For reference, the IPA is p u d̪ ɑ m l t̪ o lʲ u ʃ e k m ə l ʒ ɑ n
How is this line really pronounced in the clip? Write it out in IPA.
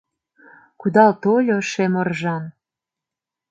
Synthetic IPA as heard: k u d̪ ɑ l t̪ o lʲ o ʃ e m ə r ʒ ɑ n